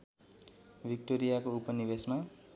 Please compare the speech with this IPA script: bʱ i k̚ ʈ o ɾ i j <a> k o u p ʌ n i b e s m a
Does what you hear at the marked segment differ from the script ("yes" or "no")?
no